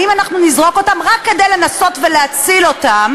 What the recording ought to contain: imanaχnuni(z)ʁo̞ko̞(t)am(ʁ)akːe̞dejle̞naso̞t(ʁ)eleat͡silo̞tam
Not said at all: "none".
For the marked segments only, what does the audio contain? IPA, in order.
z, t, ʁ, v

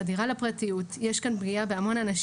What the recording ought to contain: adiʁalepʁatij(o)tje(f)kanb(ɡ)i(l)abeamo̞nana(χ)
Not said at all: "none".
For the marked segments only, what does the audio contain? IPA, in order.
u, ʃ, ɡ, none, ʃ

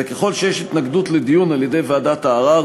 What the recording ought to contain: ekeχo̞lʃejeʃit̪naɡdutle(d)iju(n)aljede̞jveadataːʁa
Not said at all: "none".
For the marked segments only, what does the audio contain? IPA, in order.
d, n

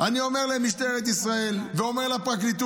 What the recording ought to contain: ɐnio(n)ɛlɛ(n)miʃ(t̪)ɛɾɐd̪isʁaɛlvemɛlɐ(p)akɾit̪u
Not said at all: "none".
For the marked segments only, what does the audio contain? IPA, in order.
m, none, t̪, p

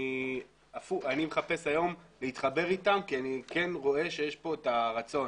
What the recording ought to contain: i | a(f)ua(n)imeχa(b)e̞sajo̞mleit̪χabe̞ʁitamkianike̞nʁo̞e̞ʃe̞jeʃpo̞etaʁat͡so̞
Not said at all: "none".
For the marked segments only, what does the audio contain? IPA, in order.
f, n, p

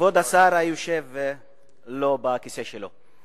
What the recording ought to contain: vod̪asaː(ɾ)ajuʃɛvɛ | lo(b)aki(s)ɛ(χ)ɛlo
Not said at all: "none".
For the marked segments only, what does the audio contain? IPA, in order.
ɾ, b, s, ʃ

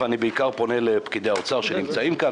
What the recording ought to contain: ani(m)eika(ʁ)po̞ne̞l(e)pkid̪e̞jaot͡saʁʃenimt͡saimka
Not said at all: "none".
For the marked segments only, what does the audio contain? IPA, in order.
b, ʁ, e

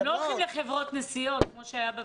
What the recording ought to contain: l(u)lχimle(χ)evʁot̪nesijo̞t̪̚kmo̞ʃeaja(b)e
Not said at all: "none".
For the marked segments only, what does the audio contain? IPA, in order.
o, χ, b

